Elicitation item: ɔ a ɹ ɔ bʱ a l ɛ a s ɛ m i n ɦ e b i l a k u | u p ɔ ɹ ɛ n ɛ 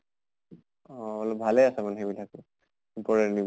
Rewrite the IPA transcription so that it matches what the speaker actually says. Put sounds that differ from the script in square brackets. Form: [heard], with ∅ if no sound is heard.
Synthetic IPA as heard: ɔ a [l] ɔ bʱ a l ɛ a s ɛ m [a] n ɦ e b i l a k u | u p ɔ ɹ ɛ n [i]